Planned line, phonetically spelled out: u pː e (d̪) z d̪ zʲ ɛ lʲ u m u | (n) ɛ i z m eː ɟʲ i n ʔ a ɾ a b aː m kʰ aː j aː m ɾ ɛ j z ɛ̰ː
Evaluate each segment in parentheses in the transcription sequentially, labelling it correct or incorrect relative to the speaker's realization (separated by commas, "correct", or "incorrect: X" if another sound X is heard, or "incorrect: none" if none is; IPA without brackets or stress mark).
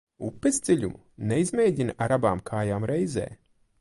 incorrect: none, correct